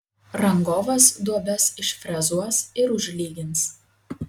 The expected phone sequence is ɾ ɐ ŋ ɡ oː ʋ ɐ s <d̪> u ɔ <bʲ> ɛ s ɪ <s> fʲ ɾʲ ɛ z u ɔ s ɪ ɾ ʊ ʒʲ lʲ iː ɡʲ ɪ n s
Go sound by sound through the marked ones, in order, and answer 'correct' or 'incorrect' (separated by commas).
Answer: correct, correct, incorrect